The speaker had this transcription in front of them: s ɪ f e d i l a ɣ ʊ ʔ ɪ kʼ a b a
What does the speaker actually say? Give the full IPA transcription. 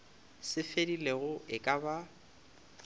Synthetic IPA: s ɪ f e d i l e ɣ ʊ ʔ ɪ kʼ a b a